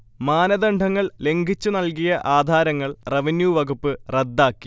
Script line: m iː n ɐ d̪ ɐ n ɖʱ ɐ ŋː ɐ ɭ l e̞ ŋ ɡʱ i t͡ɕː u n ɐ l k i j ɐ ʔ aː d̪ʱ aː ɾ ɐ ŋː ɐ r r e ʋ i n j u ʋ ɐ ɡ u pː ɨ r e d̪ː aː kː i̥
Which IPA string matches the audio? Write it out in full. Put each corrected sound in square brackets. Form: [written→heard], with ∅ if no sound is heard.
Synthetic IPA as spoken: m [iː→aː] n ɐ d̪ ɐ [n→ɳ] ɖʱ ɐ ŋː ɐ ɭ l e̞ ŋ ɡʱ i t͡ɕː u n ɐ l k i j ɐ ʔ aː d̪ʱ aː ɾ ɐ ŋː ɐ [r→ɭ] r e ʋ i n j u ʋ ɐ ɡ u pː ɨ r e d̪ː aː kː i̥